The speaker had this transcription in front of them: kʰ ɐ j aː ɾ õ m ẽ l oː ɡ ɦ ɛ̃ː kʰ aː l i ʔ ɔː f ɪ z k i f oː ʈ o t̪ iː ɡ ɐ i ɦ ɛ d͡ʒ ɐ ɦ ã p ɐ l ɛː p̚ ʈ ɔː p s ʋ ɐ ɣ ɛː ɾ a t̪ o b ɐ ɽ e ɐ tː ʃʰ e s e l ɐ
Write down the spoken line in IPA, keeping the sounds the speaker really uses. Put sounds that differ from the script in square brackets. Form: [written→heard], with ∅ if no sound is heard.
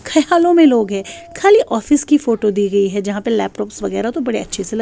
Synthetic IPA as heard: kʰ ɐ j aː [ɾ→l] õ m ẽ l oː ɡ ɦ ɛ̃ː kʰ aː l i ʔ ɔː f ɪ [z→s] k i f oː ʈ o [t̪→d̪] iː ɡ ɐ i ɦ ɛ d͡ʒ ɐ ɦ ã p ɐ l ɛː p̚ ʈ ɔː p s ʋ ɐ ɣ ɛː ɾ a t̪ o b ɐ ɽ e ɐ tː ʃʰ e s e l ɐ